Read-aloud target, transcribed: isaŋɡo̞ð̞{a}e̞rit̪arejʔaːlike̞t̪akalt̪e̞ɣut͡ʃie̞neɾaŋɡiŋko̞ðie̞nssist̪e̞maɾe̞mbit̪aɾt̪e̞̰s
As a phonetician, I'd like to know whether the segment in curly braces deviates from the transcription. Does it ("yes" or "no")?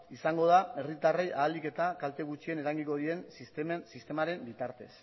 no